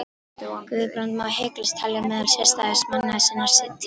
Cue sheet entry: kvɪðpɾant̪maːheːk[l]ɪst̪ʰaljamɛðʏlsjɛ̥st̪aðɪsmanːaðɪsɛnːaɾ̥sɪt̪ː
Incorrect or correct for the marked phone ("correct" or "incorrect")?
correct